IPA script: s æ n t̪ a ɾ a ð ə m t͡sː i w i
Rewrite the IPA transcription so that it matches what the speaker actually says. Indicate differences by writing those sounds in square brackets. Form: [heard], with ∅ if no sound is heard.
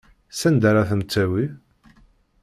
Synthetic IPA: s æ n [d̪] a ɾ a [θ] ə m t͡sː [æ] w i